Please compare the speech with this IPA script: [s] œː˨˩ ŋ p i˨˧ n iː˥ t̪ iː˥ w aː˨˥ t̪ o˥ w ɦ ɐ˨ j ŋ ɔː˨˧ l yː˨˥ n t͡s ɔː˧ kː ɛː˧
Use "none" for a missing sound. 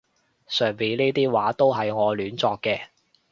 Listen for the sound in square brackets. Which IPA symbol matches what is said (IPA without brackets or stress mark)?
s